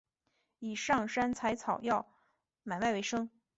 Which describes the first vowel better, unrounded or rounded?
unrounded